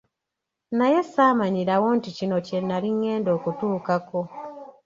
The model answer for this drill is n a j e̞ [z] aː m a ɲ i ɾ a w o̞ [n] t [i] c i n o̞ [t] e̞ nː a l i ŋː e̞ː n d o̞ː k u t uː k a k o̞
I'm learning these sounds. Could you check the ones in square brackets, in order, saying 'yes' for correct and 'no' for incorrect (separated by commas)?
no, yes, yes, no